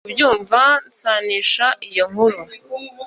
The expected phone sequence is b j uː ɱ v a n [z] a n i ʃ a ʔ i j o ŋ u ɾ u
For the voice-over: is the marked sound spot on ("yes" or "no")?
no